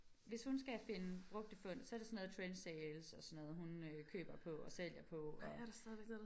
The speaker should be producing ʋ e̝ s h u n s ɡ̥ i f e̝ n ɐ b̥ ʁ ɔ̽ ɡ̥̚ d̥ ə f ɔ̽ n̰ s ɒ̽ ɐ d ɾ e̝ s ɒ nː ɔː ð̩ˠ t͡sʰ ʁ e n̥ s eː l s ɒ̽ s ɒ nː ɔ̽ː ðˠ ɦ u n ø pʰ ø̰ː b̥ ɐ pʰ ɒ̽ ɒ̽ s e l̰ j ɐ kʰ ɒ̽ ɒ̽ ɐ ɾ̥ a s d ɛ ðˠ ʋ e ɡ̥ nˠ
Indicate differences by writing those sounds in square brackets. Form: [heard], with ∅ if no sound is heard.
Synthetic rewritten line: ʋ e̝ s h u n s ɡ̥ [æ] f e̝ n [ə] b̥ ʁ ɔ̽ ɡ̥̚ d̥ ə f ɔ̽ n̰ s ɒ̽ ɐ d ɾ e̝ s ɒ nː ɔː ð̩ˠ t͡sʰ ʁ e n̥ s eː l s ɒ̽ s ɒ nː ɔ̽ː ðˠ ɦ u n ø [kʰ] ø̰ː b̥ ɐ pʰ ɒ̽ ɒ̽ s e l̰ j ɐ [pʰ] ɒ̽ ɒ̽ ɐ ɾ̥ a s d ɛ ðˠ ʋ e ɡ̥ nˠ